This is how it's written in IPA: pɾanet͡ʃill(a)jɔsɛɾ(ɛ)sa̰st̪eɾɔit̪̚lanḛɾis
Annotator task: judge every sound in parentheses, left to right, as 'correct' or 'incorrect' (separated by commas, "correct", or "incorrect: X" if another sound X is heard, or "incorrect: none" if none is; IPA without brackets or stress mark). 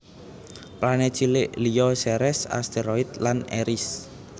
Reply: incorrect: i, correct